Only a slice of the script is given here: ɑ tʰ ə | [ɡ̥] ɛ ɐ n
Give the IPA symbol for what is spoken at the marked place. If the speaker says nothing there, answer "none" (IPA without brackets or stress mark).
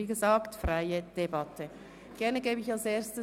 ɡ̥